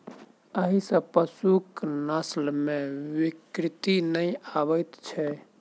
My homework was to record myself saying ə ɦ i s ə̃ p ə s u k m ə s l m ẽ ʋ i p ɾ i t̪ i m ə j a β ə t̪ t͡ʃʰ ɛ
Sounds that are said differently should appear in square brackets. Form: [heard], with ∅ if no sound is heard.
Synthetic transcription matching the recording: ə ɦ i s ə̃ p ə s u k [n] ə s l m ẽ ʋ i [k] ɾ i t̪ i [n] ə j a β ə t̪ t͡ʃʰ ɛ